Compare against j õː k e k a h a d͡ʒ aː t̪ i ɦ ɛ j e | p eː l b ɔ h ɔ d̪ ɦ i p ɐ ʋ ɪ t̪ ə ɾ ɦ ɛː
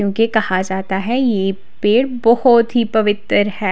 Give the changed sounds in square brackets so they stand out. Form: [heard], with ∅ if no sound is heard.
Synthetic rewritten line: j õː k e k [ɐ] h a d͡ʒ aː t̪ [a] ɦ ɛ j e | p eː [ɽ] b ɔ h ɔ [t̪] ɦ i p ɐ ʋ ɪ t̪ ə ɾ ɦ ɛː